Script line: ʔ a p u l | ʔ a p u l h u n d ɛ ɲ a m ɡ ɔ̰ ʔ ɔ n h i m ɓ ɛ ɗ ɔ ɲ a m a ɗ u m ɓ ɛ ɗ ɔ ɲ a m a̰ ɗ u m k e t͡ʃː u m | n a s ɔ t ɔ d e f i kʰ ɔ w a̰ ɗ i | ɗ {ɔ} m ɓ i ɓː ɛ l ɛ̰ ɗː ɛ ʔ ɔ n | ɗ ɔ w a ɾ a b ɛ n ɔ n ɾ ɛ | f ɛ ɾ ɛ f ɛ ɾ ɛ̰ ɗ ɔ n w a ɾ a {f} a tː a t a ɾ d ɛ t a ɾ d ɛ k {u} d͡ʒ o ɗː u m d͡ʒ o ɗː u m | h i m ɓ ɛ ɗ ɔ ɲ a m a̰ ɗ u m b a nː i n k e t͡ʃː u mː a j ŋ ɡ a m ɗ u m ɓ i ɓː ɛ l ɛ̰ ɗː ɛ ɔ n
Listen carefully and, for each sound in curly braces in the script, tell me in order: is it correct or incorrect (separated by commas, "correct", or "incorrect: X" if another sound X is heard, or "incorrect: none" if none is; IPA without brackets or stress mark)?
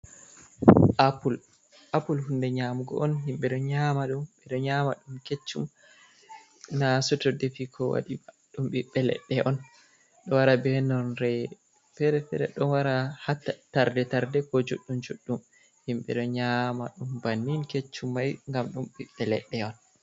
incorrect: u, incorrect: h, incorrect: ɔ